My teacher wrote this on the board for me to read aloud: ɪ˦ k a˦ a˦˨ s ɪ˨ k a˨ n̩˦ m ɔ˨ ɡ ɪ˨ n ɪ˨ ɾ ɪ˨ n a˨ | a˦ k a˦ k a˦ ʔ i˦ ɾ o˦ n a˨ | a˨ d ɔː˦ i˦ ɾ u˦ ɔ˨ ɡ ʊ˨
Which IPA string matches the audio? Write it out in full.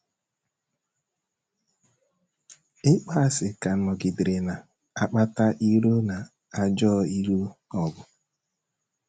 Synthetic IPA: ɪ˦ k͡p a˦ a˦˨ s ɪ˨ k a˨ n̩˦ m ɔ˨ ɡ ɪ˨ d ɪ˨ ɾ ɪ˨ n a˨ | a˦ k͡p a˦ t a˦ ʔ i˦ ɾ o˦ n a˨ | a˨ d͡ʒ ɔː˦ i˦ ɾ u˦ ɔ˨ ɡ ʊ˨